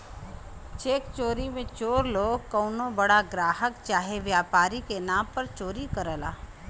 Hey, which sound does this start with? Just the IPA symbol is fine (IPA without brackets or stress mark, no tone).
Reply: t͡ʃ